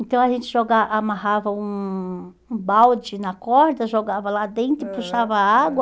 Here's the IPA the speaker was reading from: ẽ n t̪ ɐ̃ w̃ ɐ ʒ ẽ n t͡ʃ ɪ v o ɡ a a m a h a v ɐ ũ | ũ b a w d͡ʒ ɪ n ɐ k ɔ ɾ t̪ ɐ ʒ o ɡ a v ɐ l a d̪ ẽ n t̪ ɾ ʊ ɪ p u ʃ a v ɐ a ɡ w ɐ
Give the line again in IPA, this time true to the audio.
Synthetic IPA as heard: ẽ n t̪ ɐ̃ w̃ ɐ ʒ ẽ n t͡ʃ ɪ ʒ o ɡ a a m a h a v ɐ ũ | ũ b a w d͡ʒ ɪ n ɐ k ɔ ɾ d̪ ɐ ʒ o ɡ a v ɐ l a d̪ ẽ n t̪ ɾ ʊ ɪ p u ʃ a v ɐ a ɡ w ɐ